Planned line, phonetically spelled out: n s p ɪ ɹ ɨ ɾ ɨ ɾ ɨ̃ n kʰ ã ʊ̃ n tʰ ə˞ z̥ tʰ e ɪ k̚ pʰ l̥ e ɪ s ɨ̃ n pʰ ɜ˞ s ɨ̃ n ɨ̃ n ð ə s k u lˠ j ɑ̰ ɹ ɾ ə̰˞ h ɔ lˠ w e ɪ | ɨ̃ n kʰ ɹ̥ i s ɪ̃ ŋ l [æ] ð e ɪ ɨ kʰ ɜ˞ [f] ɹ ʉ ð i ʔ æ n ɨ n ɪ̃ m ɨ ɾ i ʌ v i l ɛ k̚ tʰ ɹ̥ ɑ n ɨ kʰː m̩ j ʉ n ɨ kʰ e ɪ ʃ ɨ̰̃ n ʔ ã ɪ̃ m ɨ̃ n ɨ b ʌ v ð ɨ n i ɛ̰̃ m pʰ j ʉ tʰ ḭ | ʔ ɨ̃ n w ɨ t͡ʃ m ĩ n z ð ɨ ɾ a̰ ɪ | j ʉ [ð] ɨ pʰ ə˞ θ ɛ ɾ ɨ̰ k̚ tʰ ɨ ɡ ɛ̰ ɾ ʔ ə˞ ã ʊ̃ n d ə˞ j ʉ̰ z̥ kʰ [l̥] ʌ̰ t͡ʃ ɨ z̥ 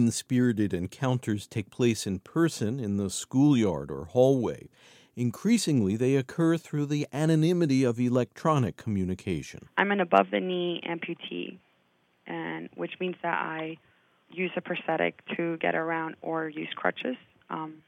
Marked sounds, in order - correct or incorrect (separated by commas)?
incorrect, incorrect, incorrect, incorrect